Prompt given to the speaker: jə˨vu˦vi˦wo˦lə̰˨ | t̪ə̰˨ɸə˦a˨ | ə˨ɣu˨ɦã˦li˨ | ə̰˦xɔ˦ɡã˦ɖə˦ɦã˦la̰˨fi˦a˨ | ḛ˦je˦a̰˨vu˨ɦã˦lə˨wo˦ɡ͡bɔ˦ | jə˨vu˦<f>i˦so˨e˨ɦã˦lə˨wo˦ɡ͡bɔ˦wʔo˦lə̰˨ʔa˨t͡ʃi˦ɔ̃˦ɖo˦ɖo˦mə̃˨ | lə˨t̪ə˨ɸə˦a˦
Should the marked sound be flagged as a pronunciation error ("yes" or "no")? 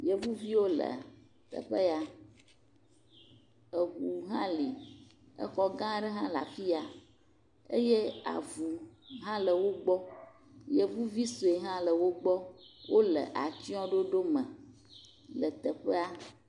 yes